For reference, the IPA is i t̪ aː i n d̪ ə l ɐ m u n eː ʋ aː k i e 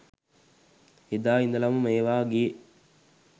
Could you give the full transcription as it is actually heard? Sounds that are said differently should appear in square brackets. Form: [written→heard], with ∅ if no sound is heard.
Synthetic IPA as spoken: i [t̪→d̪] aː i n d̪ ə l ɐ m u [n→m] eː ʋ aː [k→ɡ] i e